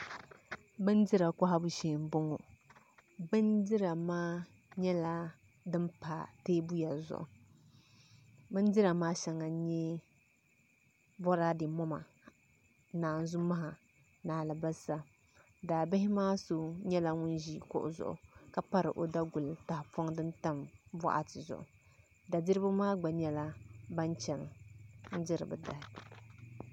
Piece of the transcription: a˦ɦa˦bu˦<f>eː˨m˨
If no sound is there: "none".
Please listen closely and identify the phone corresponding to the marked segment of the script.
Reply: ʃ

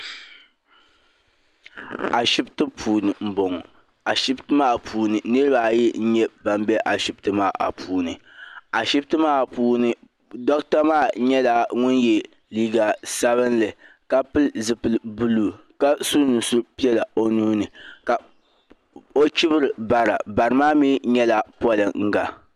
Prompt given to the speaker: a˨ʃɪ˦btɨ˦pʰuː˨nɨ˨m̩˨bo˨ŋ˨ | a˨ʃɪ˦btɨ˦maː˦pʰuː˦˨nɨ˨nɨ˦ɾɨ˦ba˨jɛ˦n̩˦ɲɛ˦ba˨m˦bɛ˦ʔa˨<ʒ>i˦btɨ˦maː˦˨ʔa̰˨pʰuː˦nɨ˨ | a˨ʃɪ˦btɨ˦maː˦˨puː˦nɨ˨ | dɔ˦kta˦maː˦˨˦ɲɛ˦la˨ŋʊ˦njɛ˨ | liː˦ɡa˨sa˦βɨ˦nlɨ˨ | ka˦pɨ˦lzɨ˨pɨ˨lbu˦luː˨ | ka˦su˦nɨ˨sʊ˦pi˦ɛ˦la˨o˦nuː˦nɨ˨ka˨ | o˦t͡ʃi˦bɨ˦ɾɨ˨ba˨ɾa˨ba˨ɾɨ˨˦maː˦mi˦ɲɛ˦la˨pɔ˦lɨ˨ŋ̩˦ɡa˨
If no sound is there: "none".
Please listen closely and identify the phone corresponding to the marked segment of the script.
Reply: ʃ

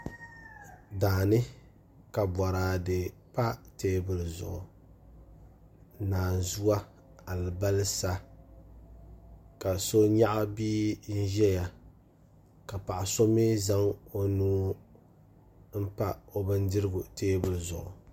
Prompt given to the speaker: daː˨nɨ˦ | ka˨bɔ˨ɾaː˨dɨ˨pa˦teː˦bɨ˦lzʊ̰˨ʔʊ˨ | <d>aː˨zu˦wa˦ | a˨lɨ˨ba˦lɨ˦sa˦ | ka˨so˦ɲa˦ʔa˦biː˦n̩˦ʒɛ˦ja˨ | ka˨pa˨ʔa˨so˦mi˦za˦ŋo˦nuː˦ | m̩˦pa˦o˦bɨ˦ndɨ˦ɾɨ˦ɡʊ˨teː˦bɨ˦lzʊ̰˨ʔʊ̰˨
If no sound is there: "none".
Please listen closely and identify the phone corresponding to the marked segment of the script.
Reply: n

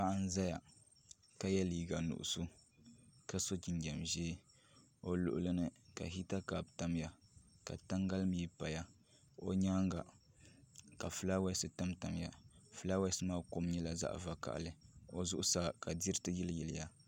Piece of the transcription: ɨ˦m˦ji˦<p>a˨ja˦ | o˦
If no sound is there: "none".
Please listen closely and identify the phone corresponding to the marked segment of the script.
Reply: p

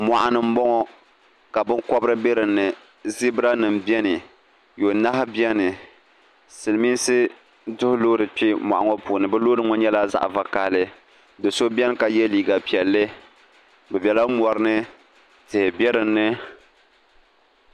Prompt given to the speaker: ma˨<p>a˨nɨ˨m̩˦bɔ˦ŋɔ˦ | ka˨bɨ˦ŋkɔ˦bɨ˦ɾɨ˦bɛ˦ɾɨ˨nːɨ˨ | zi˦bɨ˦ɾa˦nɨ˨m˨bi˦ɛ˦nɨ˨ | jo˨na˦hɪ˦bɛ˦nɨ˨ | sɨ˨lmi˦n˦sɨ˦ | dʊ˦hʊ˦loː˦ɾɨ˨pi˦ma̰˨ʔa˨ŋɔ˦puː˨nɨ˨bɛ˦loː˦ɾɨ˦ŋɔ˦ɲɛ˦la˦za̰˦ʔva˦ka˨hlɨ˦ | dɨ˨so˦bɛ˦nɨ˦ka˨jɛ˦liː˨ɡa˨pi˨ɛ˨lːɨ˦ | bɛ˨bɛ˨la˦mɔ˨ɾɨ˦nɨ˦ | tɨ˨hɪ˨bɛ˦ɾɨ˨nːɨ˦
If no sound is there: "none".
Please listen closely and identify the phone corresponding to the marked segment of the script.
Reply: ʔ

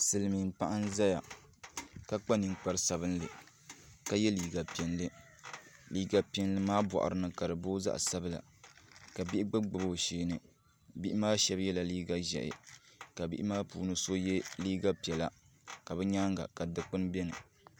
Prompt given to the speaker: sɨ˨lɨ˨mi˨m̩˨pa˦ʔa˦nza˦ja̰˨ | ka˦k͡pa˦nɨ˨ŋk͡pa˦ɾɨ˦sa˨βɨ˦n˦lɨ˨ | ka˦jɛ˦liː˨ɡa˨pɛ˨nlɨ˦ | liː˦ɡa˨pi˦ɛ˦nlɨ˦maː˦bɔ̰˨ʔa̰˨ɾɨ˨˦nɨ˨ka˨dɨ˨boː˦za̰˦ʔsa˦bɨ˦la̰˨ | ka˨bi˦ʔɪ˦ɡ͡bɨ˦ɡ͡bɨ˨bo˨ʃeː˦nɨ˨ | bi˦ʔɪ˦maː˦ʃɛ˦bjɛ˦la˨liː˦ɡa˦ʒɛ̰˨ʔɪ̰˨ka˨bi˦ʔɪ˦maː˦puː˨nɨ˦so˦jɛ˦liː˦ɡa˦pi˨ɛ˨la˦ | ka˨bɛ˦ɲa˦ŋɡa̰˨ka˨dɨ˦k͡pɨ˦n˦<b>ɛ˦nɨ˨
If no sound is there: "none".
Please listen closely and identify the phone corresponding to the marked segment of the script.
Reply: b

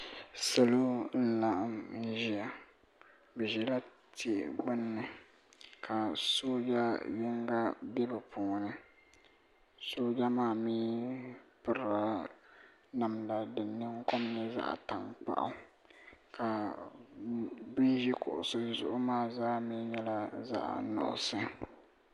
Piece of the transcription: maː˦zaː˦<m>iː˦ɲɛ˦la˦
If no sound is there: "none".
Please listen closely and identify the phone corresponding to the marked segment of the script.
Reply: m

